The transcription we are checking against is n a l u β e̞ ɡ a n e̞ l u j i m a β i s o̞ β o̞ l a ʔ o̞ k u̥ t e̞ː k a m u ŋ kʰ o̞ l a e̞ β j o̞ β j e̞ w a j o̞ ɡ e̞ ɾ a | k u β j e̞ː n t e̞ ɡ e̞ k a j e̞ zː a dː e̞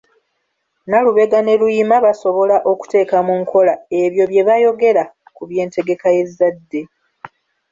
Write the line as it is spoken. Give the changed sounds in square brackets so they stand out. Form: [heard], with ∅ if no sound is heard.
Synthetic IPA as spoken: n a l u β e̞ ɡ a n e̞ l u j i m a β [a] s o̞ β o̞ l a ʔ o̞ k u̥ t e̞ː k a m u ŋ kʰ o̞ l a e̞ β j o̞ β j e̞ [β] a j o̞ ɡ e̞ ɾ a | k u β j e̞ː n t e̞ ɡ e̞ k a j e̞ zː a dː e̞